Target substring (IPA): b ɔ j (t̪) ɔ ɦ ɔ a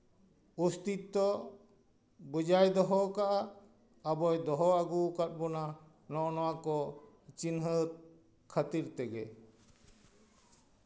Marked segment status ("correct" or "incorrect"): incorrect